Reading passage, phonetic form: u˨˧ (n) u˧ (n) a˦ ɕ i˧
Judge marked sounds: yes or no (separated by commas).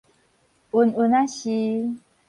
yes, yes